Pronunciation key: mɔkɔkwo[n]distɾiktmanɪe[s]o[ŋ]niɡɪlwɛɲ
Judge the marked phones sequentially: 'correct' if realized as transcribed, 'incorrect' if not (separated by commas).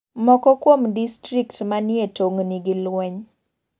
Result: incorrect, incorrect, correct